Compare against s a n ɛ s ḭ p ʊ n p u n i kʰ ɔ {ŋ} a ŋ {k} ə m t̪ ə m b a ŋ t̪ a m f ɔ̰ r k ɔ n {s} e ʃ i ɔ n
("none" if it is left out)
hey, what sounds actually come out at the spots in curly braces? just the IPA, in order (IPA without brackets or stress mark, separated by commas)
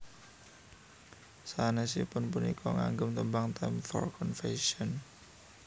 ŋ, ɡ, f